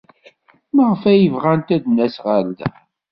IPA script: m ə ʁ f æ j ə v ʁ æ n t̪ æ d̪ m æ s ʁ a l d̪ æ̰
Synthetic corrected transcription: m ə ʁ f æ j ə v ʁ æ n t̪ æ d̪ n æ s ʁ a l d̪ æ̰